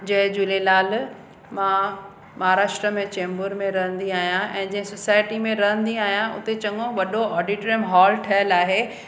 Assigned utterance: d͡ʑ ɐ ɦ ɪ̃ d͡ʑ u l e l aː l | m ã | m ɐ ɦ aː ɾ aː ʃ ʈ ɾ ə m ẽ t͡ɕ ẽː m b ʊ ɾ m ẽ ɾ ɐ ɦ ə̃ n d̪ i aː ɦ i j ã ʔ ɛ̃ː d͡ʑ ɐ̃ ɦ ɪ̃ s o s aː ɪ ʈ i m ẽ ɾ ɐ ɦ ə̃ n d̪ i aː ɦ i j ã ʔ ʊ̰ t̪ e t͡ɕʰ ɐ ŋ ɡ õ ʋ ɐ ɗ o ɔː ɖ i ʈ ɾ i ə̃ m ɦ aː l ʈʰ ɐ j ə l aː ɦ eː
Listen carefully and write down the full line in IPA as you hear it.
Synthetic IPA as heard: d͡ʑ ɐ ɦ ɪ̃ d͡ʑ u l e l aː l | m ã | m ɐ ɦ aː ɾ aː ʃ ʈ ɾ ə m ẽ t͡ɕ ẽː m b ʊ ɾ m ẽ ɾ ɐ ɦ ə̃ n d̪ i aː ɦ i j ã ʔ ɛ̃ː d͡ʑ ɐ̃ ɦ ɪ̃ s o s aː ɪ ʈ i m ẽ ɾ ɐ ɦ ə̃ n d̪ i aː ɦ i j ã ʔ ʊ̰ t̪ e t͡ɕ ɐ ŋ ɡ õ ʋ ɐ ɗ o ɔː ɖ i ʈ ɾ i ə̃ m ɦ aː l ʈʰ ɐ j ə l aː ɦ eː